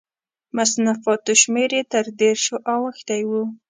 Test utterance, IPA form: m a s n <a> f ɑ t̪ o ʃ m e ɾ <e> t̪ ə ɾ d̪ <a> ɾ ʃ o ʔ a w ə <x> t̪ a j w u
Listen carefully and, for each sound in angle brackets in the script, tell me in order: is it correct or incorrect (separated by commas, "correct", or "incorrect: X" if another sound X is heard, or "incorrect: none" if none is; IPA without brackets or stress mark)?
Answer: correct, correct, incorrect: e, correct